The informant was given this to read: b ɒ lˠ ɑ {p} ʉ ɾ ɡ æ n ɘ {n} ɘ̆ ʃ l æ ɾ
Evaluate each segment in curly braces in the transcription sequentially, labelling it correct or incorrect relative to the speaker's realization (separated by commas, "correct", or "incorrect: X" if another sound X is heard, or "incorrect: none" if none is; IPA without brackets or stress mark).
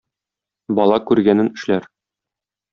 incorrect: k, correct